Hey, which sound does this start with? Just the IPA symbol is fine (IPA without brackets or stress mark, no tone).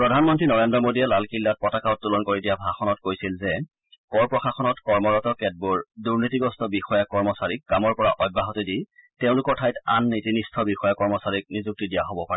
p